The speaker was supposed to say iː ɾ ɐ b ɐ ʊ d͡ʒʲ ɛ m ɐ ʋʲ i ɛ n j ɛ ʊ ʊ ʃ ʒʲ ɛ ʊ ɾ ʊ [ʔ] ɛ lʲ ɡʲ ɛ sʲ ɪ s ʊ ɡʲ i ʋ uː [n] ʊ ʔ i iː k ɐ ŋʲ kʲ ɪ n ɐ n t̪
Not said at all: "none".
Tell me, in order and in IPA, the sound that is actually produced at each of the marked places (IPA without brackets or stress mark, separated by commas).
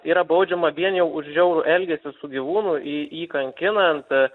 ʔ, n